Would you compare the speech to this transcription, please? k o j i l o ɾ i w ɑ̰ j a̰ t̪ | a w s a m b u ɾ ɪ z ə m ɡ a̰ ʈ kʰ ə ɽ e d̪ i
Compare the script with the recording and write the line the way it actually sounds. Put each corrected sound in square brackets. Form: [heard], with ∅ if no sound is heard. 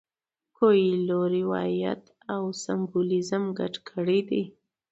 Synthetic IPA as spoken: k o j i l o ɾ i w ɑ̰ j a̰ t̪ | a w s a m b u [l] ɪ z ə m ɡ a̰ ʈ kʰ ə ɽ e d̪ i